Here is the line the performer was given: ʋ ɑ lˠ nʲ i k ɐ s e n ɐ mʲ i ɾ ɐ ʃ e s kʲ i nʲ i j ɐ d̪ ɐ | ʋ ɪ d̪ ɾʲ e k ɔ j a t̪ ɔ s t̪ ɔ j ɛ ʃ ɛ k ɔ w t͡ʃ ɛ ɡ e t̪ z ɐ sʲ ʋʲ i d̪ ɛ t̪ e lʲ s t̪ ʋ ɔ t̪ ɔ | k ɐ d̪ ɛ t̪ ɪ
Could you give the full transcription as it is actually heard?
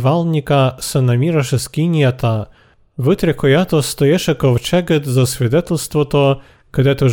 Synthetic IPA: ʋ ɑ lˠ nʲ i k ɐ s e n ɐ mʲ i ɾ ɐ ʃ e s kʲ i nʲ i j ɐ t̪ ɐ | ʋ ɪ t̪ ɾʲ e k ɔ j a t̪ ɔ s t̪ ɔ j ɛ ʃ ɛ k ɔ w t͡ʃ ɛ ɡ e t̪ z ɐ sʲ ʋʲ i d̪ ɛ t̪ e lʲ s t̪ ʋ ɔ t̪ ɔ | k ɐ d̪ ɛ t̪ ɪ